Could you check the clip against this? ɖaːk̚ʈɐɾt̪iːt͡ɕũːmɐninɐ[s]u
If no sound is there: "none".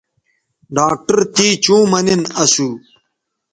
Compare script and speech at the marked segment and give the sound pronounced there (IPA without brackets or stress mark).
s